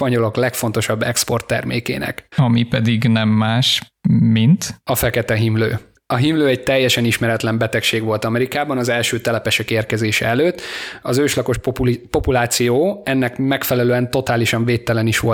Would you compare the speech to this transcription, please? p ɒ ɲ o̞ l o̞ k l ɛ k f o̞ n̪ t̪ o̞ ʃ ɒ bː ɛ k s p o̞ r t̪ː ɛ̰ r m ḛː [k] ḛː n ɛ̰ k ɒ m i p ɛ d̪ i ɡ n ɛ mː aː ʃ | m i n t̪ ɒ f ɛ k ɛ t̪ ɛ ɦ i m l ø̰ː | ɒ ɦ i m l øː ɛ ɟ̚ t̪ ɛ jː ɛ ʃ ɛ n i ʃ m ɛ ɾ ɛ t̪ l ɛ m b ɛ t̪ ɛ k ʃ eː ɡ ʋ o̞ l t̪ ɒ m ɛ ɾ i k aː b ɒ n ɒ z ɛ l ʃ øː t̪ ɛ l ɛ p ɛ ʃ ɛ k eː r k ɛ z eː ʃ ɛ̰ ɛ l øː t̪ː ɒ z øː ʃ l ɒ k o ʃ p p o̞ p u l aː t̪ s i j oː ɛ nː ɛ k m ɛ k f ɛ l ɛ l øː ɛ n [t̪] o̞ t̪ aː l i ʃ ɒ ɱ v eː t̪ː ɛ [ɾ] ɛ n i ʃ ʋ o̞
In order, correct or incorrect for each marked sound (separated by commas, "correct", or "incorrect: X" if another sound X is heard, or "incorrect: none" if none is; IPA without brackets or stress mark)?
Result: correct, correct, incorrect: l